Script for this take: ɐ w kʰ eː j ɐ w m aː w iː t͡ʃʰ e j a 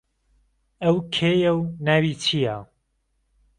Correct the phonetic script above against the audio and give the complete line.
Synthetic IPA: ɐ w kʰ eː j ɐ w n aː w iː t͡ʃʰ i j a